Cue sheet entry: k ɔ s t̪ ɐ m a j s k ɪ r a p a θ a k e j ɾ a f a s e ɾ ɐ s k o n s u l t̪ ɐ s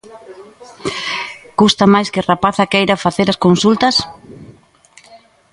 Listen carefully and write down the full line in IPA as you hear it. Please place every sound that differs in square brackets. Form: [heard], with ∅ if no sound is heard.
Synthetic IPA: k [u] s t̪ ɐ m a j s k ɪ r a p a θ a k e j ɾ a f a [θ] e ɾ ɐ s k o n s u l t̪ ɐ s